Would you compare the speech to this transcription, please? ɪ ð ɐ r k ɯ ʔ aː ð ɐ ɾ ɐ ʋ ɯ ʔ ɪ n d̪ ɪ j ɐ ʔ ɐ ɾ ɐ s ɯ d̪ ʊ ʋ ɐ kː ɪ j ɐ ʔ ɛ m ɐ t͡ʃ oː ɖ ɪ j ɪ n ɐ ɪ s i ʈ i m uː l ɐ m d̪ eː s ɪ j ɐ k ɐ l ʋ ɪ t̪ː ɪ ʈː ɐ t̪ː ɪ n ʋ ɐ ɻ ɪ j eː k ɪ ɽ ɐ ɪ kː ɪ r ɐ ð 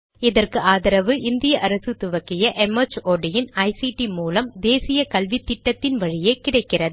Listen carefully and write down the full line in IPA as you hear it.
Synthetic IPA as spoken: ɪ ð ɐ r k ɯ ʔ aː ð ɐ ɾ ɐ ʋ ɯ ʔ ɪ n d̪ ɪ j ɐ ʔ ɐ ɾ ɐ s ɯ t̪ ʊ ʋ ɐ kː ɪ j ɐ ʔ ɛ m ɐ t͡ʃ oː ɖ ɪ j ɪ n ɐ ɪ s i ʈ i m uː l ɐ m d̪ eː s ɪ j ɐ k ɐ l ʋ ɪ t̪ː ɪ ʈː ɐ t̪ː ɪ n ʋ ɐ ɻ ɪ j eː k ɪ ɽ ɐ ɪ kː ɪ r ɐ ð

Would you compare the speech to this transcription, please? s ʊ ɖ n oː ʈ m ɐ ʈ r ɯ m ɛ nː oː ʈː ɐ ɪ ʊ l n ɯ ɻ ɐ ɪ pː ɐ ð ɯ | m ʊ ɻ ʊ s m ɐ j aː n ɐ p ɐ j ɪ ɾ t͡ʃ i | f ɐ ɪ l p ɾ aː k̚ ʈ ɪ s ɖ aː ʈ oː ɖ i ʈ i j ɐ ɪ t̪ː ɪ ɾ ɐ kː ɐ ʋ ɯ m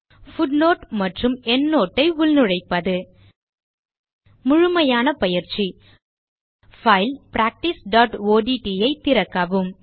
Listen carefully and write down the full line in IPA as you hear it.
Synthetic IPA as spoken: f ʊ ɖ n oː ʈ m ɐ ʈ r ɯ m ɛ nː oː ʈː ɐ ɪ ʊ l n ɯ ɻ ɐ ɪ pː ɐ ð ɯ | m ʊ ɻ ʊ m ɐ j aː n ɐ p ɐ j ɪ ɾ t͡ʃ i | f ɐ ɪ l p ɾ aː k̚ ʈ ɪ s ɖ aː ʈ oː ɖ i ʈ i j ɐ ɪ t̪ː ɪ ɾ ɐ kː ɐ ʋ ɯ m

